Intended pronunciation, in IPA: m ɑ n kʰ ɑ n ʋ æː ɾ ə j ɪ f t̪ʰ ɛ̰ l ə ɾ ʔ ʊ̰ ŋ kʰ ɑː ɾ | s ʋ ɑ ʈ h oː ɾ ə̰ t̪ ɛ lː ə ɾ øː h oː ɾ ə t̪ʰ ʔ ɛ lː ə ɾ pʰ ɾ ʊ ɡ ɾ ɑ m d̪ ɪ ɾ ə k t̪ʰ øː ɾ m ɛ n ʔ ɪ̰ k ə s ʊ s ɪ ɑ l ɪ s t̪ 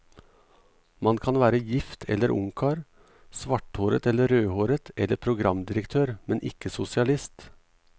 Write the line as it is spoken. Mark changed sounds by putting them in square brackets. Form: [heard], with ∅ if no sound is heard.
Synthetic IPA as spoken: m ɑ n kʰ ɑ n ʋ æː ɾ ə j ɪ f t̪ʰ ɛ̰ l ə ɾ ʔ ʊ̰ ŋ kʰ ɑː ɾ | s ʋ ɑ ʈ h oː ɾ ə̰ t̪ ɛ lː ə ɾ øː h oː ɾ ə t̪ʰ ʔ ɛ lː ə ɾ pʰ ɾ ʊ ɡ ɾ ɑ m d̪ ɪ ɾ ə k t̪ʰ øː ɾ m ɛ n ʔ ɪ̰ k ə s ʊ s ɪ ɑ l ɪ s t̪